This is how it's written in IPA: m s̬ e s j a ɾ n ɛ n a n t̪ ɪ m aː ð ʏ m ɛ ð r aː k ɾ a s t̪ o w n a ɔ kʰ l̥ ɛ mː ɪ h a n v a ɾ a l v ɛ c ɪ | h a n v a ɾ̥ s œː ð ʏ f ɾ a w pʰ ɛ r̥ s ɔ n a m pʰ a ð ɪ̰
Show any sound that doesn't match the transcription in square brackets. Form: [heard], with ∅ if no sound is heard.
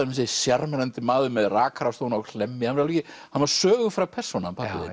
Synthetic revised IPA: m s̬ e s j a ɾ [m] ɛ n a n t̪ ɪ m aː ð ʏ m ɛ ð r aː k ɾ a s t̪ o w n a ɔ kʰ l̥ ɛ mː ɪ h a n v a ɾ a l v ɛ c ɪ | h a n v a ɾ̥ s œː [ɣ] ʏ f ɾ a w pʰ ɛ r̥ s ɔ n a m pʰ a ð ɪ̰